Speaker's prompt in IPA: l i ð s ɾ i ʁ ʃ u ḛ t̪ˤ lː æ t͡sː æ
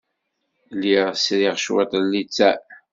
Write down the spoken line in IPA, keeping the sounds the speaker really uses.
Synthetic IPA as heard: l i ʁ s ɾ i ʁ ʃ w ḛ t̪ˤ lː i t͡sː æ